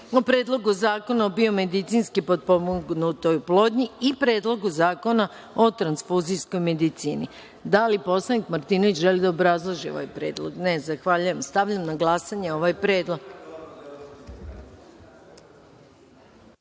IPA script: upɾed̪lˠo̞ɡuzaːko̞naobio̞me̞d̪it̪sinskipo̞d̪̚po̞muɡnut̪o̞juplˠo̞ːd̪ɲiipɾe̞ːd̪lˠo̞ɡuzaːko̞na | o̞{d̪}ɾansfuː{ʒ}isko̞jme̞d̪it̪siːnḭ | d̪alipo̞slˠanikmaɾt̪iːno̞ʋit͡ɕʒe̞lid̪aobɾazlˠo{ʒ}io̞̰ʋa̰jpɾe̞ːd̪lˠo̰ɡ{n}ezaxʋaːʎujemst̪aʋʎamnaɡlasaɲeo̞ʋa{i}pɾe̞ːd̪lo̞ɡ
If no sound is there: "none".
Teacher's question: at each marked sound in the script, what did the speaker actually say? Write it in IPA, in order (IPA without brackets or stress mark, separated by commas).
t̪, z, ʒ, n, j